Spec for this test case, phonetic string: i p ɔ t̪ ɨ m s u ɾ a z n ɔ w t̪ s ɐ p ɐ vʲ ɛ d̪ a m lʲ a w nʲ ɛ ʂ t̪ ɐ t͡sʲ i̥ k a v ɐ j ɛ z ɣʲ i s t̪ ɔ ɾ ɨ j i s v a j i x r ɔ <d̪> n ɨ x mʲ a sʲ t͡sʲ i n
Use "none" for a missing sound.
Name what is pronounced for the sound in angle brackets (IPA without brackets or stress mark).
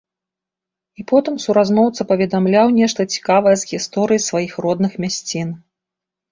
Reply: d̪